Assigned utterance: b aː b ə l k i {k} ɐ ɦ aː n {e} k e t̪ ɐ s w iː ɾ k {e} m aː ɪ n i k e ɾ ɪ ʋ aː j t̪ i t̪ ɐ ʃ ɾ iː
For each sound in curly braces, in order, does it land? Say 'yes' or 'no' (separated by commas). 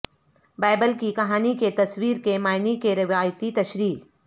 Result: yes, no, yes